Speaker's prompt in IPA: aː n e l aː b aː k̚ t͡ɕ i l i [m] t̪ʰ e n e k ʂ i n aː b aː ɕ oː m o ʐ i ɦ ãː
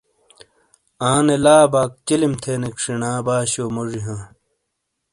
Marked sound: correct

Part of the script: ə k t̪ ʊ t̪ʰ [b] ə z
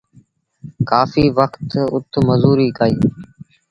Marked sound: incorrect: m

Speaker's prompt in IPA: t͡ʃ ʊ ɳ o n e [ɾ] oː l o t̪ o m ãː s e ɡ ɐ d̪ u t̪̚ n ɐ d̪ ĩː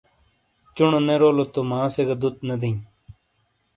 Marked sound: correct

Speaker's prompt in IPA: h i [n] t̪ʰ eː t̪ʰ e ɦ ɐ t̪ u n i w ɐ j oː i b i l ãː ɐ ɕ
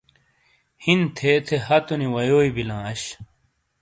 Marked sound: correct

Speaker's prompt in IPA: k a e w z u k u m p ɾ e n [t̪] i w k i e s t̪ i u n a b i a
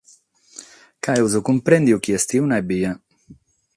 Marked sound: incorrect: d̪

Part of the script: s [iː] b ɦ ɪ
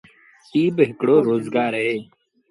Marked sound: correct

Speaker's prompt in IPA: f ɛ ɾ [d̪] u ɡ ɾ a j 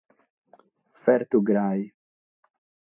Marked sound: incorrect: t̪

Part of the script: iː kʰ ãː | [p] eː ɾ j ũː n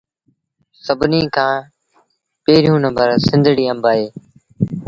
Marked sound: correct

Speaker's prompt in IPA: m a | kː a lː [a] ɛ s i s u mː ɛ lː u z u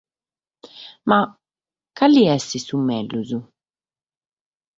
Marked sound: incorrect: i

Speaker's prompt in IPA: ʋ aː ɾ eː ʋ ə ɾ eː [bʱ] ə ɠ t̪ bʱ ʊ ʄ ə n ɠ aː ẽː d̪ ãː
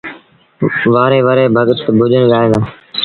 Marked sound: correct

